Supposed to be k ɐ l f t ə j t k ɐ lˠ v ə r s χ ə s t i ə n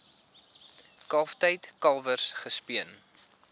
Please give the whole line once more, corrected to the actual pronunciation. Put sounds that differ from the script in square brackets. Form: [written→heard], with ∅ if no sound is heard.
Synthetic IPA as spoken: k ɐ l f t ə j t k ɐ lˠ v ə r s χ ə s [t→p] i ə n